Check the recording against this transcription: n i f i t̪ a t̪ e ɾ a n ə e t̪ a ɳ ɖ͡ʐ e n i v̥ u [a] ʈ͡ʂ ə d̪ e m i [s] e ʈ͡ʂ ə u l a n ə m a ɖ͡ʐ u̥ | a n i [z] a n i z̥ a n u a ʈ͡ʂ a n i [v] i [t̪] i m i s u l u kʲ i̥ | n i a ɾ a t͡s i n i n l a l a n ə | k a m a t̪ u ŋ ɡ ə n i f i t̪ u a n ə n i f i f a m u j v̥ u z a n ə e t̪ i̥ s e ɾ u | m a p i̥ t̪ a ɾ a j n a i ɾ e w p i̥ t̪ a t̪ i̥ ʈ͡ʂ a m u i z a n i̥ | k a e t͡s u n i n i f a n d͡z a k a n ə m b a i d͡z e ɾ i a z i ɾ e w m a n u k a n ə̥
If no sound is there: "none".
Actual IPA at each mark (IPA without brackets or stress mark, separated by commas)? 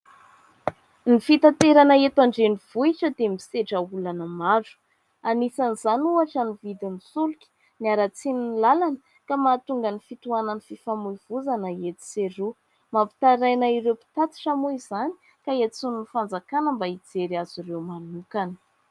i, s, s, v, d̪